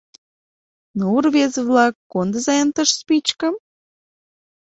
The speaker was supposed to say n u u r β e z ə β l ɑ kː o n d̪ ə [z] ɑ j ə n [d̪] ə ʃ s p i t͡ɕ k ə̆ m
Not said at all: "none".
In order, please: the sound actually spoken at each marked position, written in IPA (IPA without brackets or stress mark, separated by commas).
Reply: z, t̪